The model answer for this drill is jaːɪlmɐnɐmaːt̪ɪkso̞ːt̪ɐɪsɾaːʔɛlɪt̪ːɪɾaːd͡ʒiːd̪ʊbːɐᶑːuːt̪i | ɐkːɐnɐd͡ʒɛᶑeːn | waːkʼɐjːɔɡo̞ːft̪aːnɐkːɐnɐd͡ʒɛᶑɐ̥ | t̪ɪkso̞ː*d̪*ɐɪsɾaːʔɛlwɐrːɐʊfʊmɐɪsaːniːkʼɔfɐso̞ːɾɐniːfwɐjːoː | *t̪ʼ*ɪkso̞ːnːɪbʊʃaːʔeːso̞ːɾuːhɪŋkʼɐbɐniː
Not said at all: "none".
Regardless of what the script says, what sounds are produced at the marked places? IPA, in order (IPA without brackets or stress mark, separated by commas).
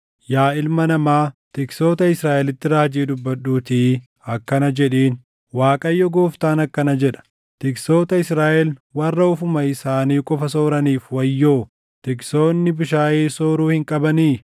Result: t̪, t̪